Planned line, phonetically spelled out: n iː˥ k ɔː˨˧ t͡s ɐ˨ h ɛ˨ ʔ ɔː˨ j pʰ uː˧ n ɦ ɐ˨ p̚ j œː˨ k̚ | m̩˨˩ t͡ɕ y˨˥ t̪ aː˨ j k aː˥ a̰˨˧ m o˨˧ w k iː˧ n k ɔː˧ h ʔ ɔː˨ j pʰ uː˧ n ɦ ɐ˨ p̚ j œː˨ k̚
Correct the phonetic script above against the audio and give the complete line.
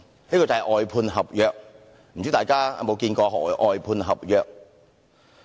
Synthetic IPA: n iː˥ k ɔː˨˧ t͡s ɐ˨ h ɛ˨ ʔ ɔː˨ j pʰ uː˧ n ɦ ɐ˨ p̚ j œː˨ k̚ | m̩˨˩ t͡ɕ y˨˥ t̪ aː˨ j k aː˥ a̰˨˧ m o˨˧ w k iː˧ n k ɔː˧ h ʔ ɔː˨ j pʰ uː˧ n ɦ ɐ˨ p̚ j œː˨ k̚